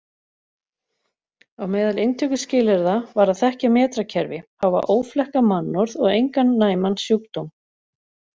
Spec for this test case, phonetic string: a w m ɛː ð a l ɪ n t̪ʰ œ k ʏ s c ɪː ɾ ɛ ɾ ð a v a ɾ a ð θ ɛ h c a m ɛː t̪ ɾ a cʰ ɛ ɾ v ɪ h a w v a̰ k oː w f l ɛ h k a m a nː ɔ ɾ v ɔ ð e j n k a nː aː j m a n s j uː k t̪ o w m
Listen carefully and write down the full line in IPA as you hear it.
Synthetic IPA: a w m ɛː ð a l ɪ n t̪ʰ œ k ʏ s c ɪː l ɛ ɾ ð a v a ɾ a ð θ ɛ h c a m ɛː t̪ ɾ a cʰ ɛ ɾ v ɪ h a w v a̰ ʔ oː w f l ɛ h k a m a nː ɔ ɾ ð ɔ ɣ e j ŋ k a nː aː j m a n s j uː k t̪ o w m